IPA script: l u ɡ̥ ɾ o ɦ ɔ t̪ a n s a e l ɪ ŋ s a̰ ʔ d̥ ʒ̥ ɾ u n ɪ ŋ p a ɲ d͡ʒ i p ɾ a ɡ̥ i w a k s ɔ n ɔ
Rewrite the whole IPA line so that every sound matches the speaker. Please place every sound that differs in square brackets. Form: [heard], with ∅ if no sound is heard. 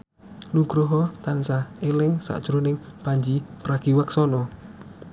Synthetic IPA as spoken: l u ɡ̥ ɾ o ɦ ɔ t̪ a n s a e l ɪ ŋ s a̰ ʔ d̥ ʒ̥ ɾ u n ɪ ŋ p a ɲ d͡ʒ i p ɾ a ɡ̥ i w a k s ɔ n ɔ